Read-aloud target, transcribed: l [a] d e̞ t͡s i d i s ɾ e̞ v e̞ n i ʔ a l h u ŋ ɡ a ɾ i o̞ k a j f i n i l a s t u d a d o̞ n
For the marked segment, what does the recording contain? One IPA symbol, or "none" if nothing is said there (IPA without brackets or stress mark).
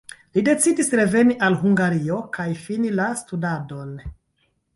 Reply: i